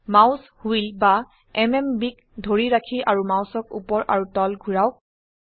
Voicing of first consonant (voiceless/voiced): voiced